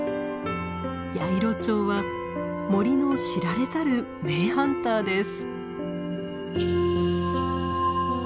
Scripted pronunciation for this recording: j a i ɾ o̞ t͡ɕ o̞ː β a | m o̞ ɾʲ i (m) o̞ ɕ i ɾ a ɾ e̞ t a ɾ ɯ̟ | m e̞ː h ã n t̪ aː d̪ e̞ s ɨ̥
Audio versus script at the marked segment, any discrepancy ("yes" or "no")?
yes